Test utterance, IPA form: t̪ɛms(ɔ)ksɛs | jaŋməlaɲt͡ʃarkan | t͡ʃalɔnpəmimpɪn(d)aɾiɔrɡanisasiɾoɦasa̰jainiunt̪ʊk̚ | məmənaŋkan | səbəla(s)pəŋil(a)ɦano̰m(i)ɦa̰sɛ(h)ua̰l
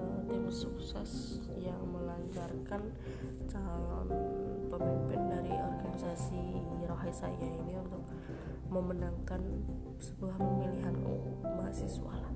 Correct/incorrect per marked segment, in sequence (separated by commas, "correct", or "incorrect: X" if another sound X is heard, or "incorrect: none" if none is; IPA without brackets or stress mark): incorrect: u, correct, incorrect: h, incorrect: i, incorrect: a, incorrect: s